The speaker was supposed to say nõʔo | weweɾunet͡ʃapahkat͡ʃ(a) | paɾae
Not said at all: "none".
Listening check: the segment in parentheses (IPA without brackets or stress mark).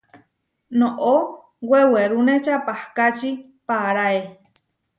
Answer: i